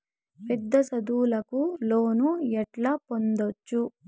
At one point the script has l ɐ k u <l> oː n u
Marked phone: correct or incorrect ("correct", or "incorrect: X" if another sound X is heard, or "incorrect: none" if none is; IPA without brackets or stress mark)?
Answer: correct